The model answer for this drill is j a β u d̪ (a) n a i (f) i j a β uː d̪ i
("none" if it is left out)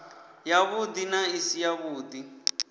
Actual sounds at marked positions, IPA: i, s

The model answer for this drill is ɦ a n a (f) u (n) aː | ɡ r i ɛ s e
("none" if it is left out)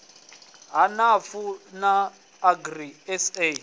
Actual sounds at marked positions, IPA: f, n

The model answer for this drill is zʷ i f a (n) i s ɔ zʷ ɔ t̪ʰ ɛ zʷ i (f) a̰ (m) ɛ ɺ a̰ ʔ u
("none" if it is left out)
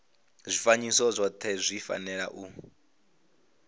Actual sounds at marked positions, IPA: ɲ, f, n

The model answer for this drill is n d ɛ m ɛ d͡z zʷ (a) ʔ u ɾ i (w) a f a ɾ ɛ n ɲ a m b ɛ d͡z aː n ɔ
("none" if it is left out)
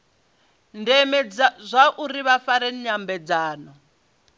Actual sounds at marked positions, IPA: a, β

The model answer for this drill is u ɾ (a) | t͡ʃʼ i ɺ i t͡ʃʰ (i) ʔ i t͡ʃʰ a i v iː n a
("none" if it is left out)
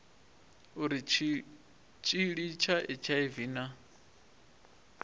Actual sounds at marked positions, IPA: i, a

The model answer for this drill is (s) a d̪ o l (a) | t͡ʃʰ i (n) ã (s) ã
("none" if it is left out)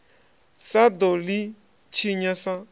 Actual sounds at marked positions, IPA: s, i, ɲ, s

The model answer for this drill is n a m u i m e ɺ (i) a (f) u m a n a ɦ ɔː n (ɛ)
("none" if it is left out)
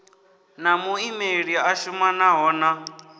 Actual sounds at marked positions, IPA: i, ʃ, a

